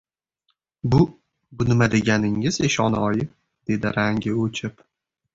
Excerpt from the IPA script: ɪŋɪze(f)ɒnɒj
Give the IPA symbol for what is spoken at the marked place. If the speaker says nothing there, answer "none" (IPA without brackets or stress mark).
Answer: ʃ